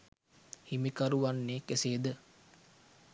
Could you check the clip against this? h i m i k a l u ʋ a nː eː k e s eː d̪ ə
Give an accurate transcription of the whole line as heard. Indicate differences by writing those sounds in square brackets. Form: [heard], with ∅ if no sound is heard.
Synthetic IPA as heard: h i m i k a [ɾ] u ʋ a nː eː k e s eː d̪ ə